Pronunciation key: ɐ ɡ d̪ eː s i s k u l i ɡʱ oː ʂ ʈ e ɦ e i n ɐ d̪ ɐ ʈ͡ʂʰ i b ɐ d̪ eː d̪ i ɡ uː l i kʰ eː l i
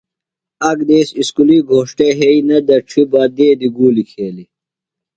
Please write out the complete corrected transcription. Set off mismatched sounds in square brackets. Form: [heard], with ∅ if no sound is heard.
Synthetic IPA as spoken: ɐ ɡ d̪ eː s i s k u l i ɡʱ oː ʂ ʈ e ɦ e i n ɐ d̪ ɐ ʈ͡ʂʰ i b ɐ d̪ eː d̪ i ɡ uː l i kʰ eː l i